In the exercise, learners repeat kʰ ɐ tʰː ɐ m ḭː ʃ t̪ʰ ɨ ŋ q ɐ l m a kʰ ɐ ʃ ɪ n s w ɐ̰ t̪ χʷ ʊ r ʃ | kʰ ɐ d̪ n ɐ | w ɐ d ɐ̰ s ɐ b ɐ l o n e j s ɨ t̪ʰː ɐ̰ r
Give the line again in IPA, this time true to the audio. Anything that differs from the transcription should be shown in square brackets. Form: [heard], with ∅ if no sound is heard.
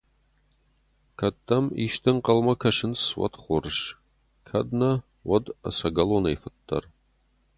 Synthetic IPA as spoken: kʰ ɐ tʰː ɐ m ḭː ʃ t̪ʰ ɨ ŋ q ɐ l m [ɐ] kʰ ɐ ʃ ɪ n s w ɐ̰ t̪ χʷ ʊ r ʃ | kʰ ɐ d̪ n ɐ | w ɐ d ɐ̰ s ɐ [ɡ] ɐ l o n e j [f] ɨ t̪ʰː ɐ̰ r